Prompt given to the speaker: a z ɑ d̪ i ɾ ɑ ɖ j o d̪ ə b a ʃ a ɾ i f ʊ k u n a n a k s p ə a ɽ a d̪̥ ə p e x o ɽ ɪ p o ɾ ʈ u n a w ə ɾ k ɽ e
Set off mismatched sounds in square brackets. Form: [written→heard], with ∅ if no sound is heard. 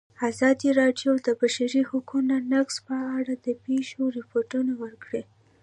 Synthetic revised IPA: a z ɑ d̪ i ɾ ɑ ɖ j o d̪ ə b a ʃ a ɾ i [f→h] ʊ k u n a n a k s p ə a ɽ a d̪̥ ə p e [x→ʃ] o [ɽ→ɾ] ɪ p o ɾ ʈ u n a w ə ɾ k ɽ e